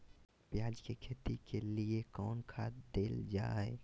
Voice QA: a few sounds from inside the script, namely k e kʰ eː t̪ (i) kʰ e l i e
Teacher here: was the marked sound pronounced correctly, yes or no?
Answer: yes